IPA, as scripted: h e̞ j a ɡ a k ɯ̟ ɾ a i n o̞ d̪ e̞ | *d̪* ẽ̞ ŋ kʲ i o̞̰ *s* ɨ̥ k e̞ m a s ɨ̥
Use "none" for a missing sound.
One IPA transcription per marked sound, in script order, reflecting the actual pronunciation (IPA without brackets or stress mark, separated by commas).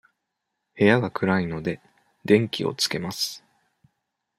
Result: d̪, t͡s